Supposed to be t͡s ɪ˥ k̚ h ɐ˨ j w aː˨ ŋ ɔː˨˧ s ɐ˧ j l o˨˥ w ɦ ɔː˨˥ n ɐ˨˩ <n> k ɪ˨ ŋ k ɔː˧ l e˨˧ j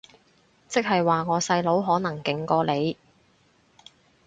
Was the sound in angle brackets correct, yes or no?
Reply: no